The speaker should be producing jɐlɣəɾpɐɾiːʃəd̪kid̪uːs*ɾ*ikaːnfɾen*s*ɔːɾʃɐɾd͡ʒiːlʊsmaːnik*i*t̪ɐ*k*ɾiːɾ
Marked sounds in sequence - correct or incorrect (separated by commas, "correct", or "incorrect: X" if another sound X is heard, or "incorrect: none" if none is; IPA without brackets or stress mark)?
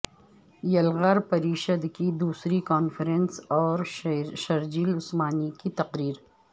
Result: correct, correct, correct, incorrect: q